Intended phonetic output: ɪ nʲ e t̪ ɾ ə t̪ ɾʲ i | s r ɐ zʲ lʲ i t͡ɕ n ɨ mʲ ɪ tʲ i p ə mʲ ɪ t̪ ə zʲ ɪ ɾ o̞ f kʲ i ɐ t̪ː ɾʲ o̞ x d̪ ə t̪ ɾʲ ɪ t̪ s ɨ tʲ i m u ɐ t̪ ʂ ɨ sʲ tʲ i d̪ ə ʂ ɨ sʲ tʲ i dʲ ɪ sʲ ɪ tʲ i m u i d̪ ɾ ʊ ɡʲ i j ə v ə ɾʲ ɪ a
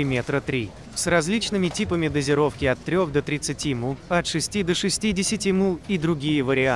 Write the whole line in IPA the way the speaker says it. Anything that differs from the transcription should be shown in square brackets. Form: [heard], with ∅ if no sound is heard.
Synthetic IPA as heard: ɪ [mʲ] e t̪ ɾ ə t̪ ɾʲ i | s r ɐ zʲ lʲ i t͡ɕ n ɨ mʲ ɪ tʲ i p ə mʲ ɪ [d̪] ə zʲ ɪ ɾ o̞ f kʲ [ɪ] ɐ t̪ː ɾʲ o̞ x d̪ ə t̪ ɾʲ ɪ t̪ s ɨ tʲ i m u ɐ t̪ ʂ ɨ sʲ tʲ i d̪ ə ʂ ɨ sʲ tʲ i dʲ ɪ sʲ ɪ tʲ i m u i d̪ ɾ ʊ ɡʲ i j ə v ə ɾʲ ɪ a